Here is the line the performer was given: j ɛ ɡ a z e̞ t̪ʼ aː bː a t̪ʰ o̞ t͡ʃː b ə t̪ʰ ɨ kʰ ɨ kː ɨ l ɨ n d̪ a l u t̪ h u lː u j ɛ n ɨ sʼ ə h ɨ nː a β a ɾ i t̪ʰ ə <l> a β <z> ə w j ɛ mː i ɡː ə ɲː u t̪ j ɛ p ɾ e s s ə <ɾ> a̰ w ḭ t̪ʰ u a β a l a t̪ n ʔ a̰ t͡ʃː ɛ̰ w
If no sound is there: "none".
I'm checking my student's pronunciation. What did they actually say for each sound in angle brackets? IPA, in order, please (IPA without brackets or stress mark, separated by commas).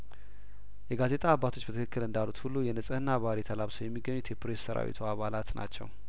l, s, ɾ